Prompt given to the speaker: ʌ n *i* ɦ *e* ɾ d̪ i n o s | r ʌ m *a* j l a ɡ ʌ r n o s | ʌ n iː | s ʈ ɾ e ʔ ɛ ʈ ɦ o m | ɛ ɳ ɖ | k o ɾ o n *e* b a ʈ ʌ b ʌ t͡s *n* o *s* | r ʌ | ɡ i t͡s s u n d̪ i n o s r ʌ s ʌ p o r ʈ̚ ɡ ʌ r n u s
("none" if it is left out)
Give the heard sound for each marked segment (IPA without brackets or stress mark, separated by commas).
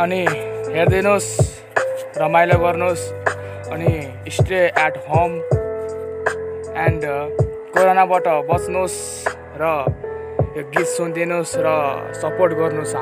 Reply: i, e, a, a, n, s